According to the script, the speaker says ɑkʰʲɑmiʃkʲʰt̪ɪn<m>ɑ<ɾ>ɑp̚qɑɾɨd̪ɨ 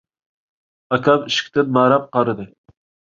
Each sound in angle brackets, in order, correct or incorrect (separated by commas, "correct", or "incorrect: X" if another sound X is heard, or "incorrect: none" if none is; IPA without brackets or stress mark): correct, correct